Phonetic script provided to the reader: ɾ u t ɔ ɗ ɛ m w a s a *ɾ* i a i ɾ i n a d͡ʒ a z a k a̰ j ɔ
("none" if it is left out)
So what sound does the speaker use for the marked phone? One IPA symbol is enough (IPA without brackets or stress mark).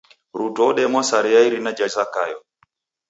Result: ɾ